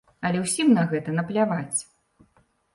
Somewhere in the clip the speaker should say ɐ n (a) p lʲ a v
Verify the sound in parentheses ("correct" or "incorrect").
incorrect